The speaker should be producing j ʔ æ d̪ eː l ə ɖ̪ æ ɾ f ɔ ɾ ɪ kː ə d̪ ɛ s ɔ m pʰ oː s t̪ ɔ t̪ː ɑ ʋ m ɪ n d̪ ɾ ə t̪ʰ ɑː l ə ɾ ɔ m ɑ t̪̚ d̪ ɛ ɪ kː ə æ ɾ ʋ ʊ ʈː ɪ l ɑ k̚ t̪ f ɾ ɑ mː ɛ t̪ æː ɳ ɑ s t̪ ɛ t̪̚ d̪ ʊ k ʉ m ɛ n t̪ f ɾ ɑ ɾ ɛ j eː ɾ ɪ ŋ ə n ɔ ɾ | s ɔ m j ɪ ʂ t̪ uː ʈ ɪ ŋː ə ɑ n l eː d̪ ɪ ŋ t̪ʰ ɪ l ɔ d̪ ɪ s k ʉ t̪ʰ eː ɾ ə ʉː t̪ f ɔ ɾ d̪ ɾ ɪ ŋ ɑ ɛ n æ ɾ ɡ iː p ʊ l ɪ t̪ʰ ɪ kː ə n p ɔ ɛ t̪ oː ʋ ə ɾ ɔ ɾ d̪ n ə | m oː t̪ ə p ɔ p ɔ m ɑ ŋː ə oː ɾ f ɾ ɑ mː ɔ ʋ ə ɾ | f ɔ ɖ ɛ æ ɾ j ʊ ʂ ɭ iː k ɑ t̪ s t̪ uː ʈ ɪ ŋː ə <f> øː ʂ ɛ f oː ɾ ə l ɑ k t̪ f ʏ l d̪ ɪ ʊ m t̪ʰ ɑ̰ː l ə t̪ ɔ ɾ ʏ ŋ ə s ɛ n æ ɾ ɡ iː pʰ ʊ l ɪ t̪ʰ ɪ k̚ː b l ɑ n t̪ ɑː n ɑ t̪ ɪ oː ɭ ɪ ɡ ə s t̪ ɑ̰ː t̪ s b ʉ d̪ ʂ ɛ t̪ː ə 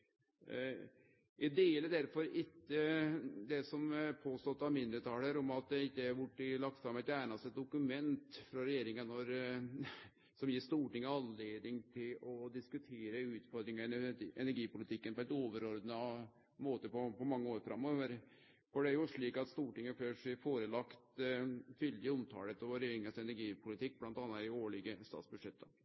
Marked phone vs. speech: correct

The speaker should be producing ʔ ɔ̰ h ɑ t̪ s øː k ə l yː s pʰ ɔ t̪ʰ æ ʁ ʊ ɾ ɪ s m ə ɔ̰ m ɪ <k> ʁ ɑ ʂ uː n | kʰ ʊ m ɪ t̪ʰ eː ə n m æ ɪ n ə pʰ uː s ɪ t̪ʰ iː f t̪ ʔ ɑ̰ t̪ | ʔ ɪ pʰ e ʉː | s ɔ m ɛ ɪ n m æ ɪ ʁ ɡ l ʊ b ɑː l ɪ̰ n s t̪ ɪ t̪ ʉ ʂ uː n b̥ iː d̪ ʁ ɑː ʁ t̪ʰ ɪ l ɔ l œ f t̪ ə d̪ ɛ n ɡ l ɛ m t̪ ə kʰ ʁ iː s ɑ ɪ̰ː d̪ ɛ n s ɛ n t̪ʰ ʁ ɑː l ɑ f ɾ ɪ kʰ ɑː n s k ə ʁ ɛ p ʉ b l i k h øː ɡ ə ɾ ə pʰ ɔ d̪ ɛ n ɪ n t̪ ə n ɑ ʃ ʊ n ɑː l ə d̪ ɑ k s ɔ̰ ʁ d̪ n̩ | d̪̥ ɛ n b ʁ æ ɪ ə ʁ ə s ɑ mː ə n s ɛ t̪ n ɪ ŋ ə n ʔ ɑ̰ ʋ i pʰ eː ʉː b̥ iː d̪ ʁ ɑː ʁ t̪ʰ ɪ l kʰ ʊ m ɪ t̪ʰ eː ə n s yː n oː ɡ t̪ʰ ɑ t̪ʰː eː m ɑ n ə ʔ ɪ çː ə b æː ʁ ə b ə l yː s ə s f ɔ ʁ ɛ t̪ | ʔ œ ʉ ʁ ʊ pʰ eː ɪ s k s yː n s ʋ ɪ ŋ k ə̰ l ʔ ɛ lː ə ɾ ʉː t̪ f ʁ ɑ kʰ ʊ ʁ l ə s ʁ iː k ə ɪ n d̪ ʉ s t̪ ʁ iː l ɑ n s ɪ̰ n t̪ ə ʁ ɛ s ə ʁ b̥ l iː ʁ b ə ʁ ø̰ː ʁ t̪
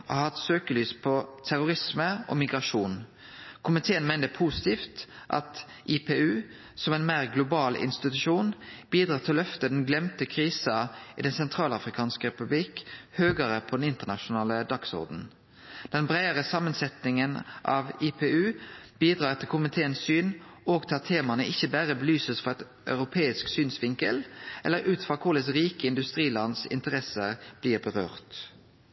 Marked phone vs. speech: incorrect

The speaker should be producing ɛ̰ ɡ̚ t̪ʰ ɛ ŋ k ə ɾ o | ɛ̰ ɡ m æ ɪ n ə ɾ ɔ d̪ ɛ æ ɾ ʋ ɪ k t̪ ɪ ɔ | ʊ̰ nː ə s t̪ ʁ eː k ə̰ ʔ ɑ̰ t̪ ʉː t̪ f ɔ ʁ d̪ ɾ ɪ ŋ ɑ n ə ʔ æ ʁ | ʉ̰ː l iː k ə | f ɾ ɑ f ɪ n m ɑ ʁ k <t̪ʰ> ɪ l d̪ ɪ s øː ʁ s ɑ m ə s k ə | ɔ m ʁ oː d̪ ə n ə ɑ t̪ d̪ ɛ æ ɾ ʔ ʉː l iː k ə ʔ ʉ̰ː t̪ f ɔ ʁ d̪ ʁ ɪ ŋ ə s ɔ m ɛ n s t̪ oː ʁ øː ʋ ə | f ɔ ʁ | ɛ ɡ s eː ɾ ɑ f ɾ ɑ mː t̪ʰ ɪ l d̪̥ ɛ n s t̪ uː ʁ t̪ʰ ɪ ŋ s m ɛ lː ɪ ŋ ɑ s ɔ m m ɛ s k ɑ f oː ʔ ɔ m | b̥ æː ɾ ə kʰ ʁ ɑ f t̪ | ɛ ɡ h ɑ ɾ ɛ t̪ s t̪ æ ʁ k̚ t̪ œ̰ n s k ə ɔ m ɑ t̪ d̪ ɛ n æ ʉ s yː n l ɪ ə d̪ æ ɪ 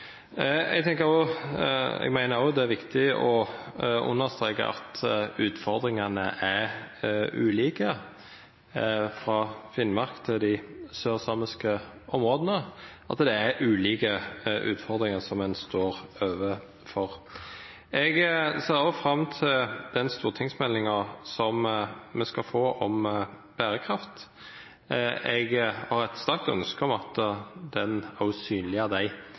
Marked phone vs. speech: correct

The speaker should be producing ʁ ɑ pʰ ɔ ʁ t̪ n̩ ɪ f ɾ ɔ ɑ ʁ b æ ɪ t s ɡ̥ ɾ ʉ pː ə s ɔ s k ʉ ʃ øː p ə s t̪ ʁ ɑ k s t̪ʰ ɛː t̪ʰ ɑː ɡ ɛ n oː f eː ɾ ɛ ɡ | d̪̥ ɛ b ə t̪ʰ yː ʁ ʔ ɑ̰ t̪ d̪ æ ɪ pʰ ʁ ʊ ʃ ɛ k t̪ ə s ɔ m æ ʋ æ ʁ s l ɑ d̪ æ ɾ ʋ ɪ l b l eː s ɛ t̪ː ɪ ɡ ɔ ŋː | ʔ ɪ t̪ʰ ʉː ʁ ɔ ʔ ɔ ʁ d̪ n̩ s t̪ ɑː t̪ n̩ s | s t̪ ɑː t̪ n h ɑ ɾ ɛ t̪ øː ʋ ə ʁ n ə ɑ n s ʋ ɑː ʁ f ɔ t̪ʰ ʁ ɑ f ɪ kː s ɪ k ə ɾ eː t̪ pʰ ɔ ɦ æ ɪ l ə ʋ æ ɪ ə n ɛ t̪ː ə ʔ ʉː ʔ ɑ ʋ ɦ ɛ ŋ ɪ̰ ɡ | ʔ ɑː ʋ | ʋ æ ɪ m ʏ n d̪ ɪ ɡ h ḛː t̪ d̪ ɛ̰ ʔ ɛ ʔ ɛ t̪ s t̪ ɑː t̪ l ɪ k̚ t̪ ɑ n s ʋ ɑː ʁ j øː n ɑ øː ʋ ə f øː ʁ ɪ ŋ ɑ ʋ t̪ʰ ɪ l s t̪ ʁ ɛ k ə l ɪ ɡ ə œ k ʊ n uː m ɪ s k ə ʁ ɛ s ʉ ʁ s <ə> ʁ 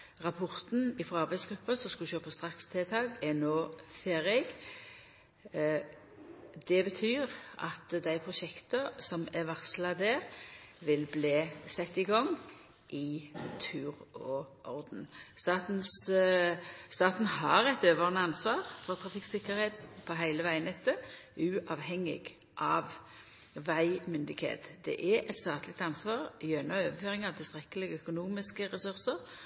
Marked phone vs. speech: correct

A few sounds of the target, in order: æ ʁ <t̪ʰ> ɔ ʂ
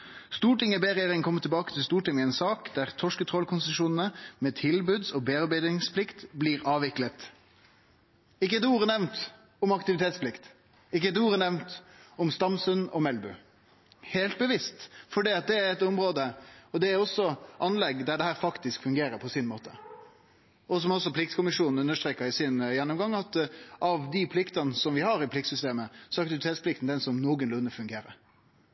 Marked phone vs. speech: correct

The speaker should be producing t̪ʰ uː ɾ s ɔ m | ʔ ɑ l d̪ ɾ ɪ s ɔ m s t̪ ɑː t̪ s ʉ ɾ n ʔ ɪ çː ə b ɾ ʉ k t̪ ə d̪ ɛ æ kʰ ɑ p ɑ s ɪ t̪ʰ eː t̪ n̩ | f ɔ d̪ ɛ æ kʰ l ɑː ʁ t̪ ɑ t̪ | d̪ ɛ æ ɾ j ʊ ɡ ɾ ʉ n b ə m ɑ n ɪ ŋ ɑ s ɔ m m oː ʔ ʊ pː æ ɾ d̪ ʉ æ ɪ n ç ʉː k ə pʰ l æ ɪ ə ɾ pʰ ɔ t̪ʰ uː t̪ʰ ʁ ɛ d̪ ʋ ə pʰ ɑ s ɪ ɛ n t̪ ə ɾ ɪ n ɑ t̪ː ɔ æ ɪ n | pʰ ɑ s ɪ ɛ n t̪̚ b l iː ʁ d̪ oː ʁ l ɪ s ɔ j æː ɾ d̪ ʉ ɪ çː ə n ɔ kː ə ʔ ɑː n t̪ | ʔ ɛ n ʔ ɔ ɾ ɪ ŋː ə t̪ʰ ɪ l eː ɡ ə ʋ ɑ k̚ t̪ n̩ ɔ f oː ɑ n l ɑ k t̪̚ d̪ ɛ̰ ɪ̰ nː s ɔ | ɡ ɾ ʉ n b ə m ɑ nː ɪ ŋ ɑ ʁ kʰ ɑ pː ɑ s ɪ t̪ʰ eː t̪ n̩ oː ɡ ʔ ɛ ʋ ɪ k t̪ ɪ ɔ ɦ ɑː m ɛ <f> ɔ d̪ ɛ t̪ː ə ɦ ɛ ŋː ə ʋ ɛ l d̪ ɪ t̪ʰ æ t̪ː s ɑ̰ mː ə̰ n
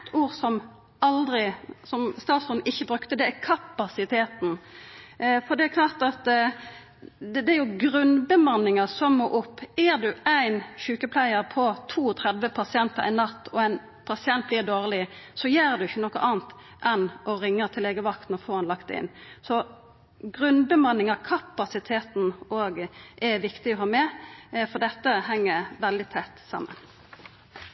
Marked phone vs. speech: correct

